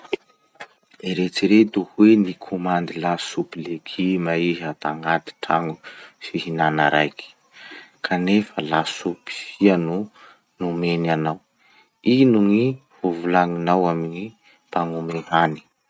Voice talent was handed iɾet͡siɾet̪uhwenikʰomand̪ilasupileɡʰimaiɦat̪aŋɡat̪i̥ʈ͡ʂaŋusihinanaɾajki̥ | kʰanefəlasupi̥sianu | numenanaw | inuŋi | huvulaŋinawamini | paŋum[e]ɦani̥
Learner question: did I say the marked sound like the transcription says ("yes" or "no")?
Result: yes